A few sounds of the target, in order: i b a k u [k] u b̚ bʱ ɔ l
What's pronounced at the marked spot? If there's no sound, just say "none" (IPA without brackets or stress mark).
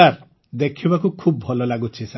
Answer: kʰ